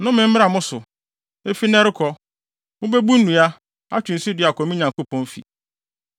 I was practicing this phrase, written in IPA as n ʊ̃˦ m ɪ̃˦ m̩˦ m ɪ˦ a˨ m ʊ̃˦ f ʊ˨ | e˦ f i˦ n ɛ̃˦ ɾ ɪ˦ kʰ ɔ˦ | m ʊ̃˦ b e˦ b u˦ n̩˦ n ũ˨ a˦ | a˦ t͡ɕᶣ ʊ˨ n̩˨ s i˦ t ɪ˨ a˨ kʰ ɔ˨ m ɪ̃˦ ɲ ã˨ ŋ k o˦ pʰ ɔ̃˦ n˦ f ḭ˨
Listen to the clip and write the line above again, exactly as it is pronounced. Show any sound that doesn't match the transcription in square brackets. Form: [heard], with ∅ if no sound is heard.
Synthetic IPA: n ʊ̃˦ m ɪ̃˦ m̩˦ m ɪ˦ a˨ m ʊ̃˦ [s] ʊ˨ | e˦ f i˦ n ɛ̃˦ ɾ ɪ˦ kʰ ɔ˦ | m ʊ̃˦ b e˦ b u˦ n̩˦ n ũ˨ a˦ | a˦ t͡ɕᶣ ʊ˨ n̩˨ s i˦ [d] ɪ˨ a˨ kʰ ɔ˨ m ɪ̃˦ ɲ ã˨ ŋ k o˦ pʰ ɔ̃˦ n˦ f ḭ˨